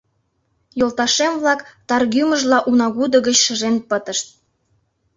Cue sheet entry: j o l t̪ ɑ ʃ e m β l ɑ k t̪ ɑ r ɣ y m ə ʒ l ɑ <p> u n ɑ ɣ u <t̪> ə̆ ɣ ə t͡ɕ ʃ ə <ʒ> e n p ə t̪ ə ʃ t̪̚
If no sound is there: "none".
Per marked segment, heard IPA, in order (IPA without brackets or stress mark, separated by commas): ʔ, d̪, ʒ